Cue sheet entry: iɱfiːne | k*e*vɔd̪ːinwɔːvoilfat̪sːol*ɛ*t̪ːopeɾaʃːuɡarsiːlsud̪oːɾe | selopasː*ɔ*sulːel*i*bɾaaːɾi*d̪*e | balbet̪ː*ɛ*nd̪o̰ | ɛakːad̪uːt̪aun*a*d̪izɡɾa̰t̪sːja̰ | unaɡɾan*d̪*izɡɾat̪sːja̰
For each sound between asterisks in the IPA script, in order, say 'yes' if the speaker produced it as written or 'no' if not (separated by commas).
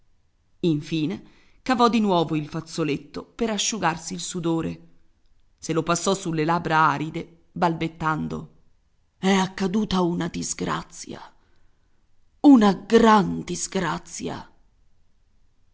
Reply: no, no, yes, no, yes, no, yes, yes